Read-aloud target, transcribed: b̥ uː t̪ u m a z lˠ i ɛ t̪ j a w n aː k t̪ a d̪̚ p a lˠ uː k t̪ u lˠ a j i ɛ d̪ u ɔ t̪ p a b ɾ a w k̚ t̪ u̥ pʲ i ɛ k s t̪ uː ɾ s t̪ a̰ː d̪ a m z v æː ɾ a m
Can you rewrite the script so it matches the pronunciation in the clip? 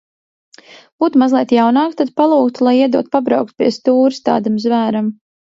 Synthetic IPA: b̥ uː t̪ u m a z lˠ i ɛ t̪ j a w n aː k t̪ a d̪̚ p a lˠ uː k t̪ u lˠ a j i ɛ d̪ u ɔ t̪ p a b ɾ a w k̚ t̪ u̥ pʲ i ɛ s t̪ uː ɾ s t̪ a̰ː d̪ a m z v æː ɾ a m